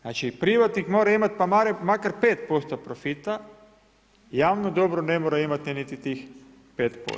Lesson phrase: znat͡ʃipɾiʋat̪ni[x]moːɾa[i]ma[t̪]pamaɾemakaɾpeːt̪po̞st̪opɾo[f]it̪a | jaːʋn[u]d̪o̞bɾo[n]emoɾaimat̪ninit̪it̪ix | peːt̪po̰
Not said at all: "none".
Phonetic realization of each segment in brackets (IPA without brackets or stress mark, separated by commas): k, i, t̪, f, o, n